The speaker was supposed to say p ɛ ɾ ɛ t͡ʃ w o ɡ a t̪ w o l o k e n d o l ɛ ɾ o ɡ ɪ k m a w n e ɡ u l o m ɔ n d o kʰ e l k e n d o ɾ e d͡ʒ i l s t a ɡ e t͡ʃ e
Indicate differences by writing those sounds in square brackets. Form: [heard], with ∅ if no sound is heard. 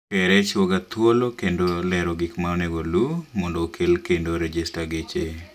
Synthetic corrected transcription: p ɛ ɾ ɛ t͡ʃ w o ɡ a t̪ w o l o k e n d o l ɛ ɾ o ɡ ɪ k m a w n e ɡ [o] l [u] m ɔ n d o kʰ e l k e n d o ɾ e d͡ʒ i [∅] s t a ɡ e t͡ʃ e